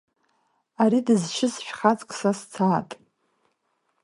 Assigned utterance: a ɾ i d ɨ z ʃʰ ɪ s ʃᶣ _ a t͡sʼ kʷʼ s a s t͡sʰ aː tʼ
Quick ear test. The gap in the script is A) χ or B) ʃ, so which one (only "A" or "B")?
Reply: A